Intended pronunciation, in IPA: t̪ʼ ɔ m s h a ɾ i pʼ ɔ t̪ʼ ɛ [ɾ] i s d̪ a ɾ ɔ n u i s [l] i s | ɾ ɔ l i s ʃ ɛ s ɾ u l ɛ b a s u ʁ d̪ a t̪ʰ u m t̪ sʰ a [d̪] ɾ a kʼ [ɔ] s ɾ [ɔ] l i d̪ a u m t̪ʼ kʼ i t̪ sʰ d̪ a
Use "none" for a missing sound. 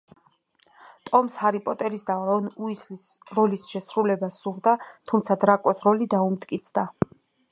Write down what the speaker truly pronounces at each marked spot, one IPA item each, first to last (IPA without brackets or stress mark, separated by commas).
ɾ, l, d̪, ɔ, ɔ